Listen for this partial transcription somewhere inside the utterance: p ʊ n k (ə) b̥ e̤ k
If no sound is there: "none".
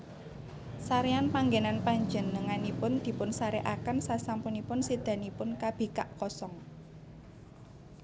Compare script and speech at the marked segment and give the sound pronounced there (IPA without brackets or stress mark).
a